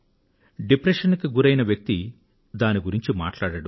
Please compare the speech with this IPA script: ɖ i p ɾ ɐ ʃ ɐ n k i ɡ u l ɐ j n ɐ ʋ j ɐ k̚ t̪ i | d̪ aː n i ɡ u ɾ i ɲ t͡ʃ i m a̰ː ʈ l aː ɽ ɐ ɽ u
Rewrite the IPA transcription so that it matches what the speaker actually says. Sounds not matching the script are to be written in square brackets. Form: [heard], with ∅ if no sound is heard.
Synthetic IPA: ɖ i p ɾ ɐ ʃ ɐ n k i ɡ u [ɾ] ɐ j n ɐ ʋ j ɐ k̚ t̪ i | d̪ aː n i ɡ u ɾ i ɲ t͡ʃ i m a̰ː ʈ l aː ɽ ɐ ɽ u

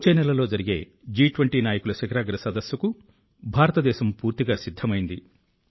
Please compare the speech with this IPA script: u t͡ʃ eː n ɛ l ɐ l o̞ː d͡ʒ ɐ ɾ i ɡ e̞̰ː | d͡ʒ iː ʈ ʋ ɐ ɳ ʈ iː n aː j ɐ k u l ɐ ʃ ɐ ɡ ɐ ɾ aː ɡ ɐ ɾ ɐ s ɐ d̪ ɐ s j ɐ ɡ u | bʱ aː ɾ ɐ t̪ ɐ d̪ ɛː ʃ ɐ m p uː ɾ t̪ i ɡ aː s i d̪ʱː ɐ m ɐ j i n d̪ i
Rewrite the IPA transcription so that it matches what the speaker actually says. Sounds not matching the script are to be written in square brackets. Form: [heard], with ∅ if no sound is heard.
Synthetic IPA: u t͡ʃ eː n ɛ l ɐ l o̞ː d͡ʒ ɐ ɾ i ɡ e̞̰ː | d͡ʒ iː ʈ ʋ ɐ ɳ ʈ iː n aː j ɐ k u l ɐ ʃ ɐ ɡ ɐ ɾ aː ɡ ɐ ɾ ɐ s ɐ d̪ ɐ s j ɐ [k] u | bʱ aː ɾ ɐ t̪ ɐ d̪ ɛː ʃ ɐ m p uː ɾ t̪ i ɡ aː s i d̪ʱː ɐ m ɐ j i n d̪ i

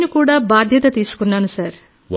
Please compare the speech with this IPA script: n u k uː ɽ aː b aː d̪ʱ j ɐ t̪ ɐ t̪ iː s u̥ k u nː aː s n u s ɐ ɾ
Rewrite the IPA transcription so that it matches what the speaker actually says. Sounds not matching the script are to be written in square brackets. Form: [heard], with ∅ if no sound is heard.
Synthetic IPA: n u k uː ɽ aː b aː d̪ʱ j ɐ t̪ ɐ t̪ iː s u̥ k u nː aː [∅] n u s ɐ ɾ

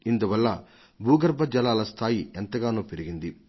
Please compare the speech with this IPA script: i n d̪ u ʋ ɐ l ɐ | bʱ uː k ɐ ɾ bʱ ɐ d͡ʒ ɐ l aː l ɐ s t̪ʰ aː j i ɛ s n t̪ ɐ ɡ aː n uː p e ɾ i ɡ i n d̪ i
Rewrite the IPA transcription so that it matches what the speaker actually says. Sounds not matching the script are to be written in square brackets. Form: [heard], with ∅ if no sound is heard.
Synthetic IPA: i n d̪ u ʋ ɐ [lː] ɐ | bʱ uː [ɡ] ɐ ɾ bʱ ɐ d͡ʒ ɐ l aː l ɐ s t̪ʰ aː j i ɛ [∅] n t̪ ɐ ɡ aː n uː p e ɾ i ɡ i n d̪ i

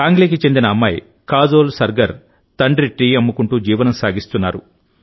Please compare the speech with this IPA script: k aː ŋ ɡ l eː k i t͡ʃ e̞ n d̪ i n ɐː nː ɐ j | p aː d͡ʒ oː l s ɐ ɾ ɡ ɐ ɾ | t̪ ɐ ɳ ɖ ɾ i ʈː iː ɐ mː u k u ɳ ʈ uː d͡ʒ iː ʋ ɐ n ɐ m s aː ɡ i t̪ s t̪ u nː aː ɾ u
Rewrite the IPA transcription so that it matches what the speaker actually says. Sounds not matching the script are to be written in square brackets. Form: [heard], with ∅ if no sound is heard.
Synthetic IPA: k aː ŋ ɡ l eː k i t͡ʃ e̞ n d̪ i n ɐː [mː] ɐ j | [k] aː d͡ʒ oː l s ɐ ɾ ɡ ɐ ɾ | t̪ ɐ ɳ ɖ ɾ i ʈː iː ɐ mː u k u ɳ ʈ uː d͡ʒ iː ʋ ɐ n ɐ m s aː ɡ i [∅] s t̪ u nː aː ɾ u

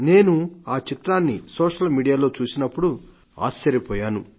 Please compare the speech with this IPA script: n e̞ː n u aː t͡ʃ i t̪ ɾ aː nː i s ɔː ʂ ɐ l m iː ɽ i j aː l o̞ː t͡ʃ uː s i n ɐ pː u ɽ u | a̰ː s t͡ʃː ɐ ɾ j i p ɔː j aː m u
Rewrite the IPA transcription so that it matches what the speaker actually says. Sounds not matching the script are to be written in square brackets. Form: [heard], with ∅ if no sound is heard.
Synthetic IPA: n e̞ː n u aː t͡ʃ i t̪ ɾ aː nː i s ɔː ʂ ɐ l m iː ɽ i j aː l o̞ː t͡ʃ uː s i n ɐ pː u ɽ u | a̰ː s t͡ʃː ɐ ɾ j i p ɔː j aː [n] u

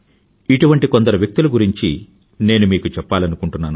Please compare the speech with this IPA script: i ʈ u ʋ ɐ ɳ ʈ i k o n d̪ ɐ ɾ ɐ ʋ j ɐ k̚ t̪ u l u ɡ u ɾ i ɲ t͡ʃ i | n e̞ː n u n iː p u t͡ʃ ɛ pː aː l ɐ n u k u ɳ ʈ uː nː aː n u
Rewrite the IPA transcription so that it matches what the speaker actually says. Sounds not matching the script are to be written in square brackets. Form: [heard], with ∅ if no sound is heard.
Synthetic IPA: i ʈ u ʋ ɐ ɳ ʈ i k o n d̪ ɐ ɾ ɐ ʋ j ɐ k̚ t̪ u l u ɡ u ɾ i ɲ t͡ʃ i | n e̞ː n u [m] iː [k] u t͡ʃ ɛ pː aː l ɐ n u k u ɳ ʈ [u] nː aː n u

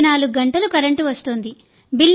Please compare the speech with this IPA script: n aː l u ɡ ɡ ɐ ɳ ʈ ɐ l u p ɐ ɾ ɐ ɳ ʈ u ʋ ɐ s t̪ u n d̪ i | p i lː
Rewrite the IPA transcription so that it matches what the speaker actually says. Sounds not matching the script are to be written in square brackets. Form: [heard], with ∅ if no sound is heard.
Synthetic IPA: n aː l u ɡ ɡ ɐ ɳ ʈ ɐ l u [k] ɐ ɾ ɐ ɳ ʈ u ʋ ɐ s t̪ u n d̪ i | [b] i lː

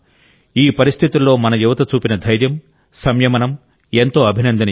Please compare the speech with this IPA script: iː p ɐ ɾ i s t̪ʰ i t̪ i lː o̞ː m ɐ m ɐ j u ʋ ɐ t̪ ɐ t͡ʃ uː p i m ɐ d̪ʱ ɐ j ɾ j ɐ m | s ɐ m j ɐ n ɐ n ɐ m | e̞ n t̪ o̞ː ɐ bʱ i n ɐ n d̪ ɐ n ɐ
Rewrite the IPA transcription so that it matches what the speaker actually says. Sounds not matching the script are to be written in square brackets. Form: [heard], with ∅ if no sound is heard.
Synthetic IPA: iː p ɐ ɾ i s t̪ʰ i t̪ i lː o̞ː m ɐ [n] ɐ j u ʋ ɐ t̪ ɐ t͡ʃ uː p i [n] ɐ d̪ʱ ɐ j ɾ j ɐ m | s ɐ m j ɐ [m] ɐ n ɐ m | e̞ n t̪ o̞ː ɐ bʱ i n ɐ n d̪ ɐ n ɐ

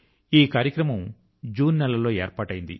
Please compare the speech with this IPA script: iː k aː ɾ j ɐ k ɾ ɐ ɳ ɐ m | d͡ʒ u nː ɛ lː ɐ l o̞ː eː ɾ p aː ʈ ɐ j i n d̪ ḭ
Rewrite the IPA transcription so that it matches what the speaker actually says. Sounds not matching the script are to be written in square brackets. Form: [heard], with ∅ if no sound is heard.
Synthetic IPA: iː k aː ɾ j ɐ k ɾ ɐ [m] ɐ m | d͡ʒ [uː] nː ɛ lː ɐ l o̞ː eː ɾ p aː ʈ ɐ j i n d̪ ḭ

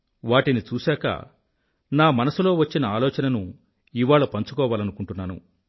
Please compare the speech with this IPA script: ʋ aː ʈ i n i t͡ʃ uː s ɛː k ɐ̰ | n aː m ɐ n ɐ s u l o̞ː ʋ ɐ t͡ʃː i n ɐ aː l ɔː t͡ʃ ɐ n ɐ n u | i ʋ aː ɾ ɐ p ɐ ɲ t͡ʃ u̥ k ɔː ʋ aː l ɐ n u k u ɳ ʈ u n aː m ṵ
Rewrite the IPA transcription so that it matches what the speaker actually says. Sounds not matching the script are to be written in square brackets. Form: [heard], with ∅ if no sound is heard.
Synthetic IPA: ʋ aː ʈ i n i t͡ʃ uː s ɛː k ɐ̰ | n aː m ɐ n ɐ s u l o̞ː ʋ ɐ t͡ʃː i n ɐ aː l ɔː t͡ʃ ɐ n ɐ n u | i ʋ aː [ɭ] ɐ p ɐ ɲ t͡ʃ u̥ k ɔː ʋ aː l ɐ n u k u ɳ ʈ u [nː] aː [n] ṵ

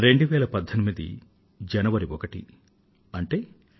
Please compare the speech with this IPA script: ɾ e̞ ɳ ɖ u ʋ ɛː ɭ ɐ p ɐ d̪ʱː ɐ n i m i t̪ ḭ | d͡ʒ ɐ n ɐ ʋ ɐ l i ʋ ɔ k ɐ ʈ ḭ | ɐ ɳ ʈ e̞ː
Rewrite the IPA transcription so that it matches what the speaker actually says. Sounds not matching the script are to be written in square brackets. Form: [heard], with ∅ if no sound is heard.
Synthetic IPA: ɾ e̞ ɳ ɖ u ʋ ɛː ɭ ɐ p ɐ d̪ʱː ɐ n i m i [d̪] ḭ | d͡ʒ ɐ n ɐ ʋ ɐ [ɾ] i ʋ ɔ k ɐ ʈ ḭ | ɐ ɳ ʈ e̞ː

